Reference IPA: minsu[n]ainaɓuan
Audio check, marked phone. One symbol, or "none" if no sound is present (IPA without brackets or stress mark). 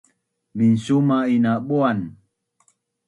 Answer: m